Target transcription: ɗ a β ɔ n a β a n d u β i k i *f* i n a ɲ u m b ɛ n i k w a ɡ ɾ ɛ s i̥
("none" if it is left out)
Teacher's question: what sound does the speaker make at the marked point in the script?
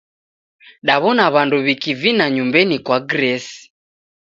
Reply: v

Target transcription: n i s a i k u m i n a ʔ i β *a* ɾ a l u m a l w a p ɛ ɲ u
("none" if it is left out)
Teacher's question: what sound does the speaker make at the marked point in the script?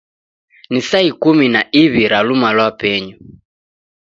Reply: i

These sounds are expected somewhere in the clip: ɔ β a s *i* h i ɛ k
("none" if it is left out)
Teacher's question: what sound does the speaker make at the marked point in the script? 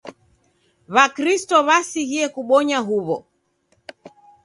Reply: i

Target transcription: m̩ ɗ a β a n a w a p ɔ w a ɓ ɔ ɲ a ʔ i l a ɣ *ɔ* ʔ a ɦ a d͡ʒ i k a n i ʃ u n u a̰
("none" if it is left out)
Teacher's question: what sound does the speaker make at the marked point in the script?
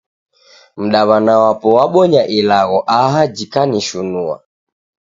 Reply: ɔ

